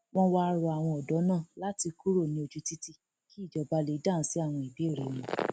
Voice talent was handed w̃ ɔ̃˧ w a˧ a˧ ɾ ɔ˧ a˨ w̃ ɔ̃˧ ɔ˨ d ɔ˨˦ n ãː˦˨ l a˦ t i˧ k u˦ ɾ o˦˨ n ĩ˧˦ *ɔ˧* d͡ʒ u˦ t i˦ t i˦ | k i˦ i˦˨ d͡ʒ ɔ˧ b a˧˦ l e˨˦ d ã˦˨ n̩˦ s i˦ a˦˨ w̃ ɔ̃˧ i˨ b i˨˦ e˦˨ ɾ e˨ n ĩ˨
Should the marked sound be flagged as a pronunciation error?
yes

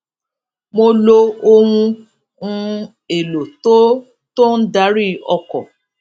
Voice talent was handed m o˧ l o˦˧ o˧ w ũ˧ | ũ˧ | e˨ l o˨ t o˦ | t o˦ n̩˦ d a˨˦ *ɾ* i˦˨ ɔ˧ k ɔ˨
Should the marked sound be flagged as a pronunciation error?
no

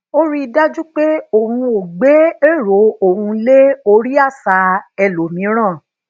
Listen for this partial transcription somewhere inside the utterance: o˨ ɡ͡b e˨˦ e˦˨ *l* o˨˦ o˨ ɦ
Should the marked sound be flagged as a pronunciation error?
yes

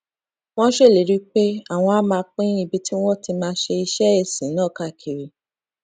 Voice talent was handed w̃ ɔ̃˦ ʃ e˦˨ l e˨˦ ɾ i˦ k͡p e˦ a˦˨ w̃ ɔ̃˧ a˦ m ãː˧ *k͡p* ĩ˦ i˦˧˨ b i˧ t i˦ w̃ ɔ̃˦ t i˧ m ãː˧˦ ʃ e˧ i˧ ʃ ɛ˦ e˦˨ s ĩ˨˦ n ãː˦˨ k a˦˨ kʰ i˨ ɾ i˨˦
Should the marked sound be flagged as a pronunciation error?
no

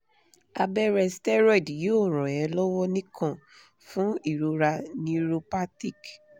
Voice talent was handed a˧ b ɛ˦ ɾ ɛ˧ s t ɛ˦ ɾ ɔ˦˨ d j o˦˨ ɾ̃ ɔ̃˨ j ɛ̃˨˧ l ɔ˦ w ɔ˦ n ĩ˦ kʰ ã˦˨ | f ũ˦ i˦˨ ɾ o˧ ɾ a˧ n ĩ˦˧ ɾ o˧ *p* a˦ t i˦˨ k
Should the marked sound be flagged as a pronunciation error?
no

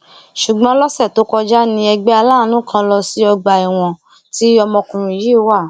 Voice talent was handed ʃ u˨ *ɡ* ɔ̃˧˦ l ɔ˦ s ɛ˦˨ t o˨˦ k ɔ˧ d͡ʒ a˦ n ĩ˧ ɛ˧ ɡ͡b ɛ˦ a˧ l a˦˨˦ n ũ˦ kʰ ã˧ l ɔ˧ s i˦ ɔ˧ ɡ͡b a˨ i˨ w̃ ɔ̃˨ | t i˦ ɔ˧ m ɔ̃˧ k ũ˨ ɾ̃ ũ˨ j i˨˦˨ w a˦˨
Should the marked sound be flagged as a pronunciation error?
yes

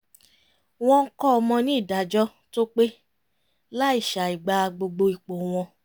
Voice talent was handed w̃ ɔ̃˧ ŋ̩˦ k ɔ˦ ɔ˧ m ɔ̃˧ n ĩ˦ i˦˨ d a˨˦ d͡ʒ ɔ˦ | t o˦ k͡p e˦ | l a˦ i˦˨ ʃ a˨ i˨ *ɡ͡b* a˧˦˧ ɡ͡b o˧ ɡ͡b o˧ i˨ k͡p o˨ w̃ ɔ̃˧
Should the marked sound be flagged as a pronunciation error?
no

